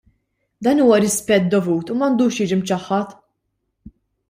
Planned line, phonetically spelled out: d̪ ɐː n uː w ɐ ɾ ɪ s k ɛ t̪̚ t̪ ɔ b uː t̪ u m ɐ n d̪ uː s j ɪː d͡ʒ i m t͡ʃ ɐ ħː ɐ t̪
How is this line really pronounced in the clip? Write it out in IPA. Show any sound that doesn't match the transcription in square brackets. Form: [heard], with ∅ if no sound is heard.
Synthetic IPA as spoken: d̪ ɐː n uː w ɐ ɾ ɪ s [p] ɛ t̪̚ [d̪] ɔ [v] uː t̪ u m ɐ n d̪ uː [ʃ] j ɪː d͡ʒ i m t͡ʃ ɐ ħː ɐ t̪